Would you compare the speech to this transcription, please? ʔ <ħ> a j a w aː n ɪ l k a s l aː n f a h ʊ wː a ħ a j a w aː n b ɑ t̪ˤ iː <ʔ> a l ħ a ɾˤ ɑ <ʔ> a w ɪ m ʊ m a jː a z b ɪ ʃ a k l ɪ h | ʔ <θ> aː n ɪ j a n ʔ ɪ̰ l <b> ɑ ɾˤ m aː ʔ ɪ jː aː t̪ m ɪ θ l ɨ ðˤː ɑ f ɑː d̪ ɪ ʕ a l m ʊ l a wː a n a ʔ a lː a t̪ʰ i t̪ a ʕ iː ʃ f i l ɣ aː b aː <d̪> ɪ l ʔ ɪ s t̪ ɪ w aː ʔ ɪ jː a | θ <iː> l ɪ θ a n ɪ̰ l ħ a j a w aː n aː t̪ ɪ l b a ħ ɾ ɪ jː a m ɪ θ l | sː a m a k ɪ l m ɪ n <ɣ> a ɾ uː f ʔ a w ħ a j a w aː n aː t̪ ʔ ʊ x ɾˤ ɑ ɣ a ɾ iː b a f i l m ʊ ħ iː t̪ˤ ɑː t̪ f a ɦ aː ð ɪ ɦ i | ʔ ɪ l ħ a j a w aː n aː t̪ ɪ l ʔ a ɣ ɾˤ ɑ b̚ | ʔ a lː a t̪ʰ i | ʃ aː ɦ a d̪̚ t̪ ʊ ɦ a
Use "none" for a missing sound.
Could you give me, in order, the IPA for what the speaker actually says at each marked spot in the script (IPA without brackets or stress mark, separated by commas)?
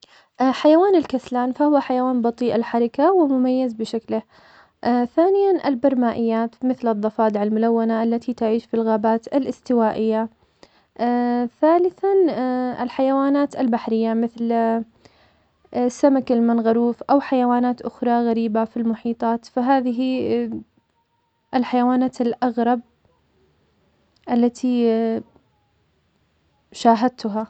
ħ, ʔ, k, θ, b, t̪, aː, ɣ